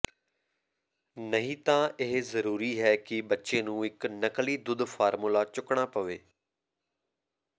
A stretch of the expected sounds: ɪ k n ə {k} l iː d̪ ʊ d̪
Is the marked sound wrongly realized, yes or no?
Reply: no